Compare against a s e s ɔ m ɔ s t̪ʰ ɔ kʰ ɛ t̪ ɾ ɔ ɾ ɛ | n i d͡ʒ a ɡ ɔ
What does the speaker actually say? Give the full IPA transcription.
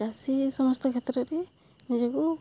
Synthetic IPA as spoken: a s i s ɔ m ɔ s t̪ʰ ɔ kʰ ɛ t̪ ɾ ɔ ɾ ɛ | n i d͡ʒ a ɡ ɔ